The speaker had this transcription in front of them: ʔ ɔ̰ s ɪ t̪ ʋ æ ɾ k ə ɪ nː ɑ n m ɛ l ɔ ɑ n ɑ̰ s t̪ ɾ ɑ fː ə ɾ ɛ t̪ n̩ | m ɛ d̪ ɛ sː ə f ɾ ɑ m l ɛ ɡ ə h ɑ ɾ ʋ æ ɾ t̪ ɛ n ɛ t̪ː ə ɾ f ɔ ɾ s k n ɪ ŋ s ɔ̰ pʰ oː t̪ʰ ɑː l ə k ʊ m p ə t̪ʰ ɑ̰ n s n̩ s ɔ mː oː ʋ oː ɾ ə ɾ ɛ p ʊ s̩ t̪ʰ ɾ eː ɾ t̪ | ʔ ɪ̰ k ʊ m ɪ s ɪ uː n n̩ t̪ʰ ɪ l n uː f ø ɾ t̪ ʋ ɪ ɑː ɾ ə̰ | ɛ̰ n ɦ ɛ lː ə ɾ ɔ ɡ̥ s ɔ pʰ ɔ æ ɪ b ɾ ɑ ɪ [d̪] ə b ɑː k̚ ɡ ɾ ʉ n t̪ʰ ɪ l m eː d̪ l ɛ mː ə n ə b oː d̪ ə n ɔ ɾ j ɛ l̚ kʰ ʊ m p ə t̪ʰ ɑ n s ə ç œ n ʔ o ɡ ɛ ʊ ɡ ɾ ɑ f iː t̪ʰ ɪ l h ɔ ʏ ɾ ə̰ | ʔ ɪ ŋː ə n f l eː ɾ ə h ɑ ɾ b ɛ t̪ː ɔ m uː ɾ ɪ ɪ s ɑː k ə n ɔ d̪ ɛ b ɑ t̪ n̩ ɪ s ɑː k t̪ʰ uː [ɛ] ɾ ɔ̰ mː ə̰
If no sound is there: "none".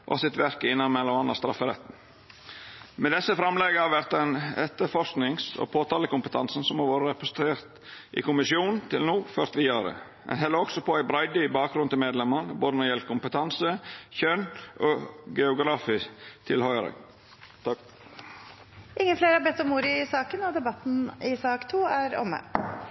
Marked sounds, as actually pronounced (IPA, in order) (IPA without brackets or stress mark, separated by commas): d̪, æ